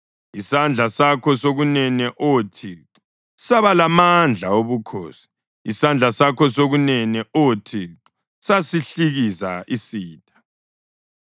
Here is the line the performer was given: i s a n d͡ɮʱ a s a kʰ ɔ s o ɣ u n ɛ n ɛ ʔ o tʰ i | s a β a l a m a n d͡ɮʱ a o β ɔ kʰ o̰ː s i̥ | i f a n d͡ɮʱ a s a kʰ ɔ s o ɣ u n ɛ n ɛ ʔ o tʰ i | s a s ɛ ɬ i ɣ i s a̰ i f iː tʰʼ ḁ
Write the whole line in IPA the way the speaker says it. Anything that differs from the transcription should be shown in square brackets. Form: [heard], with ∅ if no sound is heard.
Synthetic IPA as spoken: i s a n d͡ɮʱ a s a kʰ ɔ s o ɣ u n ɛ n ɛ ʔ o tʰ i | s a β a l a m a n d͡ɮʱ a o β [u] kʰ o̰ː s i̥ | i [s] a n d͡ɮʱ a s a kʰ ɔ s o ɣ u n ɛ n ɛ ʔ o tʰ i | s a s [i] ɬ i ɣ i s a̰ i [s] iː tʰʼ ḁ